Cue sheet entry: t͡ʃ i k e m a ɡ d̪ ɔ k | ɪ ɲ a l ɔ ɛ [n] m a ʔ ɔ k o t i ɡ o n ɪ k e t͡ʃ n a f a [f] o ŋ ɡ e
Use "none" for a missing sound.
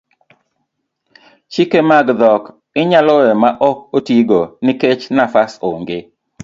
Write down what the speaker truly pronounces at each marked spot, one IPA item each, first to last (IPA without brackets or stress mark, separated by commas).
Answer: none, s